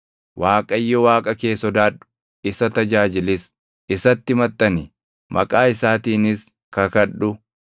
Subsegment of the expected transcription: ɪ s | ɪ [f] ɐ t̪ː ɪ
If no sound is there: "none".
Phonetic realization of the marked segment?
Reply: s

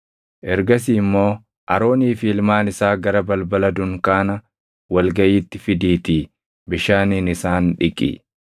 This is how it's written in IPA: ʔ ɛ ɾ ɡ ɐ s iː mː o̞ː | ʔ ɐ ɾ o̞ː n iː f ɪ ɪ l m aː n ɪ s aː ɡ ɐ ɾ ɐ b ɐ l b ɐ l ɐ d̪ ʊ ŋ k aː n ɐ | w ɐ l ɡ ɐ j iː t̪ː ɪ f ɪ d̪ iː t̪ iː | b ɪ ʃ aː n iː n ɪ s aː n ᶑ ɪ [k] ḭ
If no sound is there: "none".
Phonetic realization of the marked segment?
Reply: kʼ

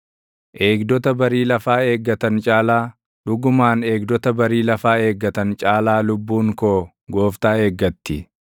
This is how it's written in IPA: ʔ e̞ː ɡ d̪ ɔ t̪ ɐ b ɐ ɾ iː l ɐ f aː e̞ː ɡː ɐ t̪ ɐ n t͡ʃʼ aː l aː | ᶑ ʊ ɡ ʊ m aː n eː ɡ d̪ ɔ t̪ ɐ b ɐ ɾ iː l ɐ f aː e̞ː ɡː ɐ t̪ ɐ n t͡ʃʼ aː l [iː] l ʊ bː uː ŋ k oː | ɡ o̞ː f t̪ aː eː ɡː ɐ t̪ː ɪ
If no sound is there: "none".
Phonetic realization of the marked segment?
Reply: aː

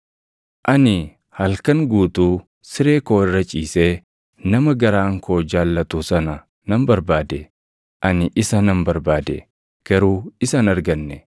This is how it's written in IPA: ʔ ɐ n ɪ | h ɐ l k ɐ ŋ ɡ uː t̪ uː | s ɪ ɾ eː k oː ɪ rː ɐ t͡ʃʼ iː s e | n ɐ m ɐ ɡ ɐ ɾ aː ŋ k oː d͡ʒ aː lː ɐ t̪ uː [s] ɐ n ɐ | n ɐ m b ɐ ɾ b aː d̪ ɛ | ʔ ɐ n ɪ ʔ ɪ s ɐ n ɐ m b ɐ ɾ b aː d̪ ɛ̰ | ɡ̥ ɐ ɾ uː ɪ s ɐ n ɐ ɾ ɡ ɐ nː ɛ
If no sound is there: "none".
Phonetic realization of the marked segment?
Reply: s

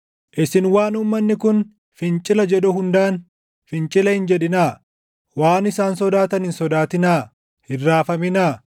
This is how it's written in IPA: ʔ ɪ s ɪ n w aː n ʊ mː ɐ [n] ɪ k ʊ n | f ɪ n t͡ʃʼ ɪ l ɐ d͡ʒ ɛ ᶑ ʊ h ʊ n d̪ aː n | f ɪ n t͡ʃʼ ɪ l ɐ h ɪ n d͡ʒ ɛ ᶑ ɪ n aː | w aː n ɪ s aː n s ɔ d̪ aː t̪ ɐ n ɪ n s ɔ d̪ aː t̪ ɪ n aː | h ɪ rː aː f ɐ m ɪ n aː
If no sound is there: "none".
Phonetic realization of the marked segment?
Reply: nː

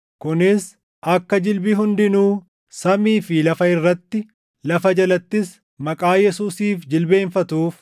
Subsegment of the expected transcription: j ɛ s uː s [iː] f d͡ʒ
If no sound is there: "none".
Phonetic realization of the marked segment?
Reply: iː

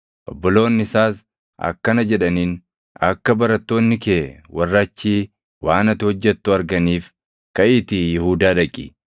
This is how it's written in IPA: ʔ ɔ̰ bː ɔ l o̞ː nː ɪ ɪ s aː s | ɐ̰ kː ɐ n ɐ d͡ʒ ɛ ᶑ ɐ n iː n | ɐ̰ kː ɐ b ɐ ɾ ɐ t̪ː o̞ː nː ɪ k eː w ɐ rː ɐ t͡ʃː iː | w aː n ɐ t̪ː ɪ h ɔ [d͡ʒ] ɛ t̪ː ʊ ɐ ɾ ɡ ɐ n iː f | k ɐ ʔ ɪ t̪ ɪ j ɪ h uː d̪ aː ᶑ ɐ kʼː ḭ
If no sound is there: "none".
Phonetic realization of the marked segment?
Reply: d͡ʒː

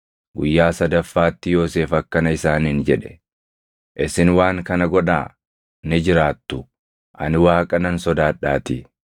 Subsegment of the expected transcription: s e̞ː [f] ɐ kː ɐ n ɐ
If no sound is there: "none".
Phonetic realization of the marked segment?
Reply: f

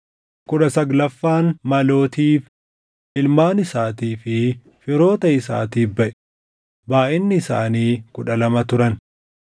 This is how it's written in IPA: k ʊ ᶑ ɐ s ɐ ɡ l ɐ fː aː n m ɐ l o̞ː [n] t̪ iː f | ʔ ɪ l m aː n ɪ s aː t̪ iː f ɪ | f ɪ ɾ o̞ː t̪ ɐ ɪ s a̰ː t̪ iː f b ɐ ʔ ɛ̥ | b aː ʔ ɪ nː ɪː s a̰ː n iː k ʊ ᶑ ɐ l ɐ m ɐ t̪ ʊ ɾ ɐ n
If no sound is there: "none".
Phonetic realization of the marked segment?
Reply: none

